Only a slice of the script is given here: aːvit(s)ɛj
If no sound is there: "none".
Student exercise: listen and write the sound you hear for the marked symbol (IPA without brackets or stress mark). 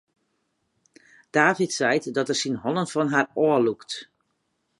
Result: s